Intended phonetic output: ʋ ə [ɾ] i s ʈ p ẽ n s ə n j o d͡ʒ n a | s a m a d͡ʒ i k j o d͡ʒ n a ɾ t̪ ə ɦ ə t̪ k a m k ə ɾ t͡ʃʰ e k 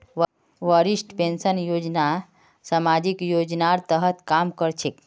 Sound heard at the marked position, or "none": ɾ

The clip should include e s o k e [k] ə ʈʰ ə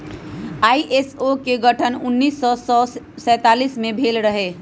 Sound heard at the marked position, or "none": ɡ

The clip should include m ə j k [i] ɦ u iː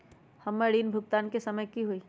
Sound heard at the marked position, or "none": i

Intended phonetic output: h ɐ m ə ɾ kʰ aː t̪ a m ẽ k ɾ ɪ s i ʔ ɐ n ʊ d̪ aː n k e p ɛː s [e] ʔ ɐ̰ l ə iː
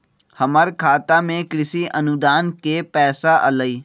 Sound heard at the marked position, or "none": a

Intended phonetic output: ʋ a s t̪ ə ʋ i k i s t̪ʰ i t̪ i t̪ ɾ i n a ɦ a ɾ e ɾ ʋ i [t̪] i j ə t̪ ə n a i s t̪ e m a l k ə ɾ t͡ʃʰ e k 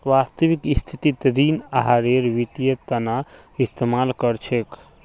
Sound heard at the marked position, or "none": t̪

